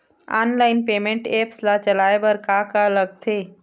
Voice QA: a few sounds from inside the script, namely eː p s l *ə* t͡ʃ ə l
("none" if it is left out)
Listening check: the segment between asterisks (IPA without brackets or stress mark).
a